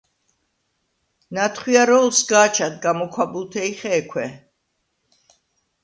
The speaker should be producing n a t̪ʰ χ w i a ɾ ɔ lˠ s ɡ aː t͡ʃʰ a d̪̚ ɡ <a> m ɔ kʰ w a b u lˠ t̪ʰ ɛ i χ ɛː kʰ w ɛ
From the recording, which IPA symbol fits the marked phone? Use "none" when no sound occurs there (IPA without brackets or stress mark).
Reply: a